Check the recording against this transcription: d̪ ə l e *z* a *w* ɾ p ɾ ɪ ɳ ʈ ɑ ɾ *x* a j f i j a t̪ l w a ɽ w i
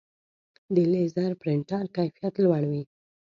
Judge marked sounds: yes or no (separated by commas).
yes, no, no